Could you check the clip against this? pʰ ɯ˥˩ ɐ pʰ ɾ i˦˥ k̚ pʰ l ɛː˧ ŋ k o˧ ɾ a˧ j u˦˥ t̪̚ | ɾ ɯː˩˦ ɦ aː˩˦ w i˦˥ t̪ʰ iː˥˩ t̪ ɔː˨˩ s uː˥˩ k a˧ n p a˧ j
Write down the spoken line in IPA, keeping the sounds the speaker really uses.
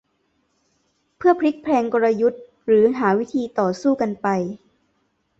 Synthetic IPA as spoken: pʰ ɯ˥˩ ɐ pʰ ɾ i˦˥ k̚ pʰ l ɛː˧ ŋ k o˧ ɾ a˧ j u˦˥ t̪̚ | ɾ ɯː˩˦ ɦ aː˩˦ w i˦˥ t̪ʰ iː˧ t̪ ɔː˨˩ s uː˥˩ k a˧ n p a˧ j